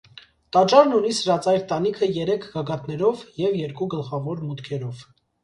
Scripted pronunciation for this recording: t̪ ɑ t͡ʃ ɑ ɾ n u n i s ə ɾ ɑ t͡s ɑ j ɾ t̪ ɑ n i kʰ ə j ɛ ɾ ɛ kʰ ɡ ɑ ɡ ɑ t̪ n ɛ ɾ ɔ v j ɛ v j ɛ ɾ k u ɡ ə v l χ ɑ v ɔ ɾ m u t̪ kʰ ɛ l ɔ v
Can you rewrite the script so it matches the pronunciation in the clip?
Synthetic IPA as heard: t̪ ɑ t͡ʃ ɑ ɾ n u n i s ə ɾ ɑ t͡s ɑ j ɾ t̪ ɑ n i kʰ ə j ɛ ɾ ɛ kʰ ɡ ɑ ɡ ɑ t̪ n ɛ ɾ ɔ v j ɛ v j ɛ ɾ k u ɡ ə l χ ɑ v ɔ ɾ m u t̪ kʰ ɛ ɾ ɔ v

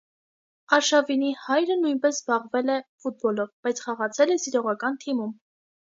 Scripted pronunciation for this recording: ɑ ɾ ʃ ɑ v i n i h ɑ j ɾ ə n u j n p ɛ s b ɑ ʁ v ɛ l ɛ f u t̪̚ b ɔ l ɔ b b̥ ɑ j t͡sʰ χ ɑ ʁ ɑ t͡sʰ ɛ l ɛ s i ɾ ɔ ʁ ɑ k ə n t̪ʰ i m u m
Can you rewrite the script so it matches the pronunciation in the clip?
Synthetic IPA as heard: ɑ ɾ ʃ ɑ v i n i h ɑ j ɾ ə n u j n p ɛ s b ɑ ʁ v ɛ l ɛ f u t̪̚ b ɔ l ɔ v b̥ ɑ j t͡sʰ χ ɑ ʁ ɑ t͡sʰ ɛ l ɛ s i ɾ ɔ ʁ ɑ k ɑ n t̪ʰ i m u m

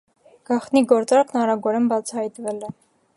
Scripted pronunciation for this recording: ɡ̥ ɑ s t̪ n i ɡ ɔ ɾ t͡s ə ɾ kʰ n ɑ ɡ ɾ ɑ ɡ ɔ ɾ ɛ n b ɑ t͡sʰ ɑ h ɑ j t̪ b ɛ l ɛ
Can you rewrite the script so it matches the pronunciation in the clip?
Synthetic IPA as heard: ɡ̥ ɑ χ t̪ n i ɡ ɔ ɾ t͡s ɑ ɾ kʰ n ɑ ɾ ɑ ɡ ɔ ɾ ɛ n b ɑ t͡sʰ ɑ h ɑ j t̪ v ɛ l ɛ

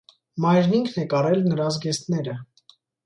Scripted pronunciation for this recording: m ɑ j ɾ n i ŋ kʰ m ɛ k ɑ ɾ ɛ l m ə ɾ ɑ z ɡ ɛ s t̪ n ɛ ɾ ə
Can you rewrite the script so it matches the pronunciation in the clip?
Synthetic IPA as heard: m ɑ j ɾ n i ŋ kʰ n ɛ k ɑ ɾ ɛ l n ə ɾ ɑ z ɡ ɛ s t̪ n ɛ ɾ ə

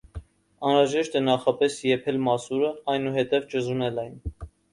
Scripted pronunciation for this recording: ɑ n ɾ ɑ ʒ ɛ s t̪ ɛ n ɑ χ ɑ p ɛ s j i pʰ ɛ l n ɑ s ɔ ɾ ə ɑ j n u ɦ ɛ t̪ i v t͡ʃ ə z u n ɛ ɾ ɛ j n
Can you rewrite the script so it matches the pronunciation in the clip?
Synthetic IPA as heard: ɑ n ɾ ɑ ʒ ɛ ʃ t̪ ɛ n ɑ χ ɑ p ɛ s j ɛ pʰ ɛ l m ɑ s u ɾ ə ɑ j n u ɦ ɛ t̪ ɛ v t͡ʃ ə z u n ɛ l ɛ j n

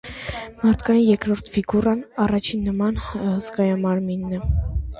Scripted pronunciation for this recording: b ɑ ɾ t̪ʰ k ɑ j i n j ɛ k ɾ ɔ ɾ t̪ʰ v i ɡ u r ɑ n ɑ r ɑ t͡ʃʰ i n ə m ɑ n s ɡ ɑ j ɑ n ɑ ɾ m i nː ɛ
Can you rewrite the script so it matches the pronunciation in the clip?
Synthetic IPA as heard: m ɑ ɾ t̪ʰ k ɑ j i n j ɛ k ɾ ɔ ɾ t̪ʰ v i ɡ u r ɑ n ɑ r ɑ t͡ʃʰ i nː ə m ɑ n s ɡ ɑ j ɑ m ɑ ɾ m i nː ɛ

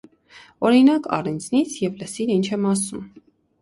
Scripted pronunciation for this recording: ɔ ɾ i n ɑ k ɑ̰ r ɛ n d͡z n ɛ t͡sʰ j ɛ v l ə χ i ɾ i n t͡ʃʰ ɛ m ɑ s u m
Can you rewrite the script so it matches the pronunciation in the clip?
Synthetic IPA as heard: ɔ ɾ i n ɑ k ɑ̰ r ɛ n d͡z n i t͡sʰ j ɛ v l ə s i ɾ i n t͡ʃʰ ɛ m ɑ s u m

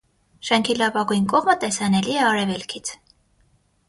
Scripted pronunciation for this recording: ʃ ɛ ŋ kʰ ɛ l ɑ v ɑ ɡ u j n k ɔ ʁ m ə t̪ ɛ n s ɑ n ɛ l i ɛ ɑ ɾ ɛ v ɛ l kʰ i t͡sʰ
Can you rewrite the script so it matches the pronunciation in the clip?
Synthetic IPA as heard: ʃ ɛ ŋ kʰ i l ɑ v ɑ ɡ u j n k ɔ ʁ m ə t̪ ɛ s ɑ n ɛ l i ɛ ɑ ɾ ɛ v ɛ l kʰ i t͡sʰ

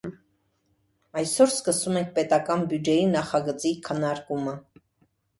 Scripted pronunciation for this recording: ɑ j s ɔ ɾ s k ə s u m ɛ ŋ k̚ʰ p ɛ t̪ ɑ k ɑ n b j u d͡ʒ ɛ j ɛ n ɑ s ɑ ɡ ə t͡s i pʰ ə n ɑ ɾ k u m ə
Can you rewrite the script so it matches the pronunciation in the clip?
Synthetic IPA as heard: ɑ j s ɔ ɾ s k ə s u m ɛ ŋ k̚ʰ p ɛ t̪ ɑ k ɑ n b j u d͡ʒ ɛ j i n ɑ χ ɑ ɡ ə t͡s i kʰ ə n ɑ ɾ k u m ə

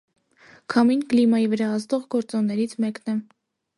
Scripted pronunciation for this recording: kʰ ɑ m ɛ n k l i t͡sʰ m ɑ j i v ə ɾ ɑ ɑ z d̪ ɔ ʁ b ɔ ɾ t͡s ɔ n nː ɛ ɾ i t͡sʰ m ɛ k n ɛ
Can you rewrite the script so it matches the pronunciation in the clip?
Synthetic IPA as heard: kʰ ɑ m i n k l i m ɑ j i v ə ɾ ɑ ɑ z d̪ ɔ ʁ ɡ ɔ ɾ t͡s ɔ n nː ɛ ɾ i t͡sʰ m ɛ k n ɛ

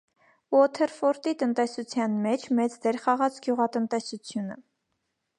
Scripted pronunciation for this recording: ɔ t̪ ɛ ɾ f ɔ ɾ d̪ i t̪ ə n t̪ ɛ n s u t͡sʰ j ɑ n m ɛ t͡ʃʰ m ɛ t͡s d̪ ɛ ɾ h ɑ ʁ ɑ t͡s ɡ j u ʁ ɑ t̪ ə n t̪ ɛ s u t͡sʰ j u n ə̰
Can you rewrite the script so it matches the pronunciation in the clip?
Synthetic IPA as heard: ɔ t̪ʰ ɛ ɾ f ɔ ɾ t̪ i t̪ ə n t̪ ɛ s u t͡sʰ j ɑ n m ɛ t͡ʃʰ m ɛ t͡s d̪ ɛ ɾ χ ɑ ʁ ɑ t͡s ɡ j u ʁ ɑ t̪ ə n t̪ ɛ s u t͡sʰ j u n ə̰

